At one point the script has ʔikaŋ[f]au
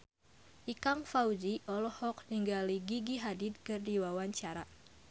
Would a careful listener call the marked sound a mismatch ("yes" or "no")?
no